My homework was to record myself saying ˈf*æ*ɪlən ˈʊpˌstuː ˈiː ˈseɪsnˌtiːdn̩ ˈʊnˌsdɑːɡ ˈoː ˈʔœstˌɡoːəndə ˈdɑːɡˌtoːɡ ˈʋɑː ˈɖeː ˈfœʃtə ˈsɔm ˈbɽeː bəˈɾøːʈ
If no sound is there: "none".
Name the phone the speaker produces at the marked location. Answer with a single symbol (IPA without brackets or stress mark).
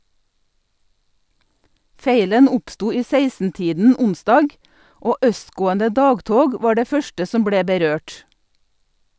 e